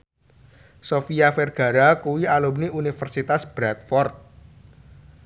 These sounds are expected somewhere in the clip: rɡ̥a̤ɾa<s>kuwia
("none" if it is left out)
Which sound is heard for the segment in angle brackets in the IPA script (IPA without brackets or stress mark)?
none